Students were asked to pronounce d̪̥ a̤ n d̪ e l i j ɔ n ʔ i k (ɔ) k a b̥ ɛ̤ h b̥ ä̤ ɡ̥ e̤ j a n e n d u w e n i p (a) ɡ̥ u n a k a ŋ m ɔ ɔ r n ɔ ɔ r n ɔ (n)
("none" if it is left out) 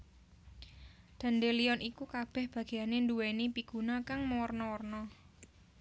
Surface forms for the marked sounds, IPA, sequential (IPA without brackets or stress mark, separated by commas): u, i, none